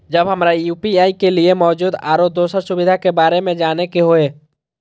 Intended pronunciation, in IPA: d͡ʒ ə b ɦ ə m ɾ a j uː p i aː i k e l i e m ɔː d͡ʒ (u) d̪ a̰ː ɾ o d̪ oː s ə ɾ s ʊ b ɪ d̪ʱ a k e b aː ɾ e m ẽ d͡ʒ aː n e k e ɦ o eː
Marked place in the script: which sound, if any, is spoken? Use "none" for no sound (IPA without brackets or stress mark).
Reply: uː